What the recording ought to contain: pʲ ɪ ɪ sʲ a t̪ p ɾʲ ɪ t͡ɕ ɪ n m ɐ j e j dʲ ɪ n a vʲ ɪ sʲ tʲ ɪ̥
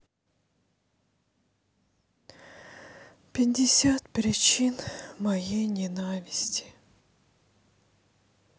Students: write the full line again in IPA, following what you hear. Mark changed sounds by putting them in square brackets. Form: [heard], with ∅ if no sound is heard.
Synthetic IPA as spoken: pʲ ɪ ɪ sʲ a t̪ p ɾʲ ɪ t͡ɕ [i] n m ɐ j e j [nʲ] ɪ n a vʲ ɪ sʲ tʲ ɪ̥